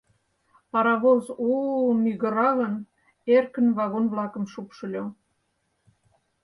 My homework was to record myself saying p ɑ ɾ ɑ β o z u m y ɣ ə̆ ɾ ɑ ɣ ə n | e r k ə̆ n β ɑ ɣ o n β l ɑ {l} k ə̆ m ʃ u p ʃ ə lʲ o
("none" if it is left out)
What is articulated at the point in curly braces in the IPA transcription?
none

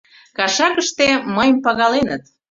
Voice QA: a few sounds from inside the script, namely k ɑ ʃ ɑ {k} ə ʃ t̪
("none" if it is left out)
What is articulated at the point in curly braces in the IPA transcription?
k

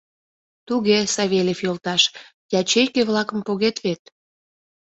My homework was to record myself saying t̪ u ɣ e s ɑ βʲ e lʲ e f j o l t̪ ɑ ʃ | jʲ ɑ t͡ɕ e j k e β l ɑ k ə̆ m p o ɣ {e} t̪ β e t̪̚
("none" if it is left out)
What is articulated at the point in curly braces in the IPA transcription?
e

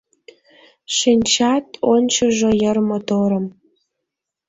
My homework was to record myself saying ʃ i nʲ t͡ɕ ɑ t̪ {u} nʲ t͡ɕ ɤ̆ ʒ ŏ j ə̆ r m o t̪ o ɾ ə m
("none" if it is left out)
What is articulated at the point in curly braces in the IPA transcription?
o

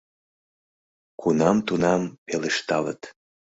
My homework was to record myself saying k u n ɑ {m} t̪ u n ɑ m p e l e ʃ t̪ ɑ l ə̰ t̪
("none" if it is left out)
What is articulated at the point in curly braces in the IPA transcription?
m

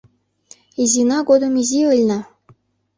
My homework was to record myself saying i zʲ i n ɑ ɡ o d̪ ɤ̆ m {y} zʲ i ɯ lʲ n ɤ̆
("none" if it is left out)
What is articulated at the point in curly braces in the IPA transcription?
i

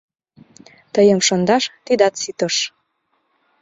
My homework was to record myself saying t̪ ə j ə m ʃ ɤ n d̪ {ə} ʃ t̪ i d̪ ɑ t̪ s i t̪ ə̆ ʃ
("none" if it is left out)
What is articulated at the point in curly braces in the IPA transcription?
ɑ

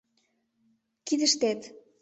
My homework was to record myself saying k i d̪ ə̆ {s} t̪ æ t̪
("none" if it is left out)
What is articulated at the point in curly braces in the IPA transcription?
ʃ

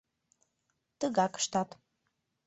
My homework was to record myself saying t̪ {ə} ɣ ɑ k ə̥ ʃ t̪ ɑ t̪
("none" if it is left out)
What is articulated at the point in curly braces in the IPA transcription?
ə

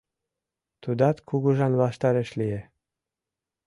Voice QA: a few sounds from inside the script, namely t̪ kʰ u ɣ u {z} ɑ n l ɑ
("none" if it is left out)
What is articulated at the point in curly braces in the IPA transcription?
ʒ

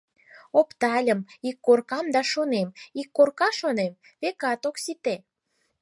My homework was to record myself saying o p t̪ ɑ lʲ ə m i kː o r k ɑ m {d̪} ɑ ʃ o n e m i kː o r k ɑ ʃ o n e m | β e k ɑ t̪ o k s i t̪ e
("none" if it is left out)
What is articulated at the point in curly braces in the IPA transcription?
d̪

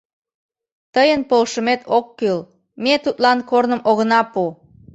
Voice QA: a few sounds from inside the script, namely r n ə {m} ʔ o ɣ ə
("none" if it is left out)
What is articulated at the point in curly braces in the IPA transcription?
m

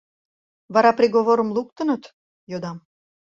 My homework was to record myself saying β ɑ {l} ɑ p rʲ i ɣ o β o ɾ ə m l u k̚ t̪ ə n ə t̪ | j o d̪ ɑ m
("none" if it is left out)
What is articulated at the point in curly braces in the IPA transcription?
ɾ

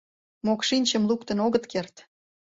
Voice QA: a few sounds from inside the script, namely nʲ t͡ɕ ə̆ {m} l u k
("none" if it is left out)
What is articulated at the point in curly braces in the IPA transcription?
m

